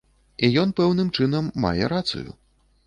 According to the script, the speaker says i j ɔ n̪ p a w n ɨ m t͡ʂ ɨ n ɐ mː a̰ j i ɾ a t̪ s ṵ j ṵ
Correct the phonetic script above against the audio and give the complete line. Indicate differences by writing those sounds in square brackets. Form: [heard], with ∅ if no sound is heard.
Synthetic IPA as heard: i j ɔ n̪ p [ɛ] w n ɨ m t͡ʂ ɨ n ɐ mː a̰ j [ɛ] ɾ a t̪ s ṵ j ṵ